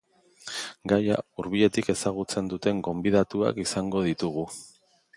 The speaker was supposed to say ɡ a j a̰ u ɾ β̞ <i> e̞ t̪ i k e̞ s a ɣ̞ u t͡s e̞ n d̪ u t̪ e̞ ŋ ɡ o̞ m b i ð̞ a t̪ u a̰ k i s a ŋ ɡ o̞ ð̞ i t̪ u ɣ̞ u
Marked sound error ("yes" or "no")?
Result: no